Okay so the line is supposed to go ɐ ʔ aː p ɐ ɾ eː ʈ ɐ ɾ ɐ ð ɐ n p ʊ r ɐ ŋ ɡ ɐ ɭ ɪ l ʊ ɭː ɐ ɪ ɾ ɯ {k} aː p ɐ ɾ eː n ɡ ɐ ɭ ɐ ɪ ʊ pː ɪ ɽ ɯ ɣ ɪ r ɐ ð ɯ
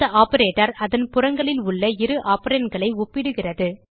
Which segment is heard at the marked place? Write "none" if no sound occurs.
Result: ʔ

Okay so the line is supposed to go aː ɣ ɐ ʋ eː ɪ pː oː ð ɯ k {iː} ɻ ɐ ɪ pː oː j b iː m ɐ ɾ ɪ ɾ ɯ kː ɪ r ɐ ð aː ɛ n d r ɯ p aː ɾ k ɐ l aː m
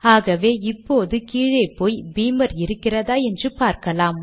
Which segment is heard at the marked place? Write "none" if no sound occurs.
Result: iː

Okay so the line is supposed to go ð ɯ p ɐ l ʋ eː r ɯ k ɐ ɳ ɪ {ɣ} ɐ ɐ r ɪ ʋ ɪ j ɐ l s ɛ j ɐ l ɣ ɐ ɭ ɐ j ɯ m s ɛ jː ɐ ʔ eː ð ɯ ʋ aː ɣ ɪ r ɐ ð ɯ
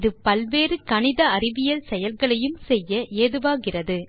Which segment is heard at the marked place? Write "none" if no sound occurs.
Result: ð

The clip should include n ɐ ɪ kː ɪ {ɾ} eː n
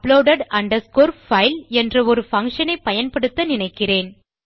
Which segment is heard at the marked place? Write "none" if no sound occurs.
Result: r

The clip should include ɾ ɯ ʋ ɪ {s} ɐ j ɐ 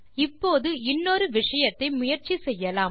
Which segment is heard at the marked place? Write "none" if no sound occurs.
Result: ʂ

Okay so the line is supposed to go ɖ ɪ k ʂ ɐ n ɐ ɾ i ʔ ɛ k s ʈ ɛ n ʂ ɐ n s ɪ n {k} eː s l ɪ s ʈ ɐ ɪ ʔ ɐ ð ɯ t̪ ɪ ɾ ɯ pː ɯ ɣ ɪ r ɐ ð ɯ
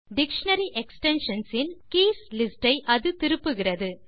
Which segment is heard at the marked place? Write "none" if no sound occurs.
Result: k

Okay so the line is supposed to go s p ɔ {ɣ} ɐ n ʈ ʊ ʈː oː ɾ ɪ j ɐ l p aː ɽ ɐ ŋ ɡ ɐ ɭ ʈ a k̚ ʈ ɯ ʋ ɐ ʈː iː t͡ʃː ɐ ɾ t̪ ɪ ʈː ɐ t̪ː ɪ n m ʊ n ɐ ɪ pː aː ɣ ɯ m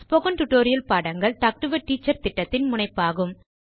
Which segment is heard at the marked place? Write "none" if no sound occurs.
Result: ɣ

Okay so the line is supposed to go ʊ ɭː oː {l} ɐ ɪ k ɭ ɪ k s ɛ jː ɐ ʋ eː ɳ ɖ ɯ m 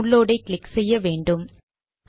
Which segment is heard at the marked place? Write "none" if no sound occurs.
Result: ɽ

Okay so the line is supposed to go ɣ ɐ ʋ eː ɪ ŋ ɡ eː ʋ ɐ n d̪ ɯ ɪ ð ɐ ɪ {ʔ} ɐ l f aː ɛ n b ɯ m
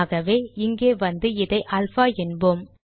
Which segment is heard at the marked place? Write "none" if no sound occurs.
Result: ʔ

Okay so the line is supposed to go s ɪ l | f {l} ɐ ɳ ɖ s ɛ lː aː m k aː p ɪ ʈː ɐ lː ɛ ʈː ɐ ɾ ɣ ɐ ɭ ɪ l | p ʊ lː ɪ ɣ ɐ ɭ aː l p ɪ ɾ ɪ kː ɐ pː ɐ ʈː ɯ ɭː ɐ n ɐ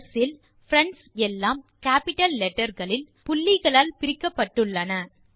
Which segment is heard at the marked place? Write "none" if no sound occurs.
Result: ɾ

